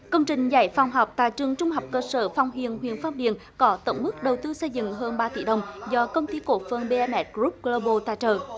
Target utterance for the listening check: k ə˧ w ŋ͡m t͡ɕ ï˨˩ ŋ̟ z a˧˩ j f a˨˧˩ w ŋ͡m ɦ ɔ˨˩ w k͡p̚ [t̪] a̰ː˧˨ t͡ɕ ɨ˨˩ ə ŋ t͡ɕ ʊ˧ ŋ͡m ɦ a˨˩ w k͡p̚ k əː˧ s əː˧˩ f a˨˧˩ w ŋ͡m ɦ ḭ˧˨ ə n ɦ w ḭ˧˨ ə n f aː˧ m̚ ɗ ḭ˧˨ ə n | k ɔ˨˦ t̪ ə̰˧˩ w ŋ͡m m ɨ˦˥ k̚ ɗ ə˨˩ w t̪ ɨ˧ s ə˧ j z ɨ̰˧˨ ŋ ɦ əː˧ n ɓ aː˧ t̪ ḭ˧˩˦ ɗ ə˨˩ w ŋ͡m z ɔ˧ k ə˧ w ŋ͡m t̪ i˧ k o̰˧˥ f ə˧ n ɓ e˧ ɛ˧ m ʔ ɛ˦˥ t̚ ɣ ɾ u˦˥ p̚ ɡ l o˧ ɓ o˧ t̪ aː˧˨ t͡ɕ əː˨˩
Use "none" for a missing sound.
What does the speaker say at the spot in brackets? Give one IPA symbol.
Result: t̪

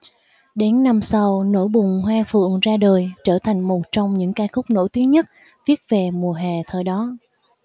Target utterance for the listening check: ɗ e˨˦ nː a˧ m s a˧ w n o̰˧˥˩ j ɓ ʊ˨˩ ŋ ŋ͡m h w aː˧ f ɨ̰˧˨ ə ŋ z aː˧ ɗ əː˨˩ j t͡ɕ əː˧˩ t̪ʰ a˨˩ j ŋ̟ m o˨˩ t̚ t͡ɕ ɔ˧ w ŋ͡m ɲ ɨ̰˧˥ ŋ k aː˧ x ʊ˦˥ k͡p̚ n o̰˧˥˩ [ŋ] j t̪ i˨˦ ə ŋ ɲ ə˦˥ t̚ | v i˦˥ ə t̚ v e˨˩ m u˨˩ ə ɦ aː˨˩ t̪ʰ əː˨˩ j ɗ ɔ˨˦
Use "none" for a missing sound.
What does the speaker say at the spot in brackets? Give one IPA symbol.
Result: none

